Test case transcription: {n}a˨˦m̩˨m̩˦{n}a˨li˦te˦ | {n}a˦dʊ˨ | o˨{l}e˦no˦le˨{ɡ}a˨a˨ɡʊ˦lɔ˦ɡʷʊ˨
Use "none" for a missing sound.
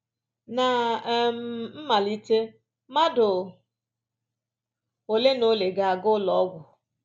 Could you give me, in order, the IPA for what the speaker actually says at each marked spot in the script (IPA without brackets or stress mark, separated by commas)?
n, m, m, l, ɡ